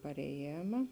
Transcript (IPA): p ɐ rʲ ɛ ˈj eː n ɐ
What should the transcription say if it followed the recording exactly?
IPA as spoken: p ɐ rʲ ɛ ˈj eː m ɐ